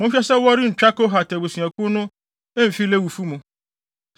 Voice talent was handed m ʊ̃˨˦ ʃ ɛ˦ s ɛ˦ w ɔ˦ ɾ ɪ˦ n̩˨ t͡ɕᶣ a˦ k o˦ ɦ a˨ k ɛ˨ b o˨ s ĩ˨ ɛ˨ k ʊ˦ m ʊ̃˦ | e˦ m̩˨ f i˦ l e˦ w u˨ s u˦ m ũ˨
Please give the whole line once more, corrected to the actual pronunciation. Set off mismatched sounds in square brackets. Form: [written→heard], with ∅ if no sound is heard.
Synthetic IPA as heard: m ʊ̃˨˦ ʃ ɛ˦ s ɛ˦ w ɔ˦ ɾ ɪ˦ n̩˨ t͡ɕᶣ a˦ k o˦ ɦ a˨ [k→t] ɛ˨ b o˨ s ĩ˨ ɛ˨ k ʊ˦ [m→n] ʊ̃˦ | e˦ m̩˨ f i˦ l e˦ w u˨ [s→f] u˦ m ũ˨